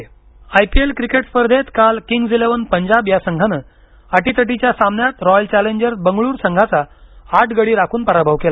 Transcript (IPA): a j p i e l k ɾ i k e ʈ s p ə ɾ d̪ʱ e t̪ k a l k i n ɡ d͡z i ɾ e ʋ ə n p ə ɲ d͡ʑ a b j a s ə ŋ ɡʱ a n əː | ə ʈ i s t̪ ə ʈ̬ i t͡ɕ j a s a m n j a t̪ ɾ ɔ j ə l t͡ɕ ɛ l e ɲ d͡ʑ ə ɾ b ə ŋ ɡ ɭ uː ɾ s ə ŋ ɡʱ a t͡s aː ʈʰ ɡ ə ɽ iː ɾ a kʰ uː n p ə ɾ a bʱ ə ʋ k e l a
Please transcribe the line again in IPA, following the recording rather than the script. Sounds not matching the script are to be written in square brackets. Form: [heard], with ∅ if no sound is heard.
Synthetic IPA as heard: a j p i e l k ɾ i k e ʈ s p ə ɾ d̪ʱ e t̪ k a l k i [ŋ] ɡ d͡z i [l] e ʋ ə n p ə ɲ d͡ʑ a b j a s ə ŋ ɡʱ a n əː | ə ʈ i [∅] t̪ ə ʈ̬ i t͡ɕ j a s a m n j a t̪ ɾ ɔ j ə l t͡ɕ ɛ l e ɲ d͡ʑ ə ɾ b ə ŋ ɡ ɭ uː ɾ s ə ŋ ɡʱ a t͡s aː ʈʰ ɡ ə ɽ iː ɾ a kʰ uː n p ə ɾ a bʱ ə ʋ k e l a